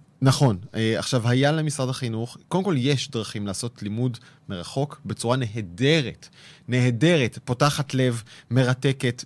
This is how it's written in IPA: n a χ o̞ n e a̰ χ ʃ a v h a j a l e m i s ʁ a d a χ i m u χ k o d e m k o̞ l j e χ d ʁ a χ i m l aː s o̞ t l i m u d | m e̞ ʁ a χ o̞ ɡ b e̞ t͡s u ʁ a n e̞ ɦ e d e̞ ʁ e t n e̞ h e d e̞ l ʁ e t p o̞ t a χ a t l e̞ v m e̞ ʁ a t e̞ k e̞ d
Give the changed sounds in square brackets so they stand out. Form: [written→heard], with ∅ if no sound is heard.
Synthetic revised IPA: n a χ o̞ n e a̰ χ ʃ a v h a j a l e m i s ʁ a d a χ i [m→n] u χ k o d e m k o̞ l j e [χ→ʃ] d ʁ a χ i m l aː s o̞ t l i m u d | m e̞ ʁ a χ o̞ [ɡ→k] b e̞ t͡s u ʁ a n e̞ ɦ e d e̞ ʁ e t n e̞ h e d e̞ [l→∅] ʁ e t p o̞ t a χ a t l e̞ v m e̞ ʁ a t e̞ k e̞ [d→t]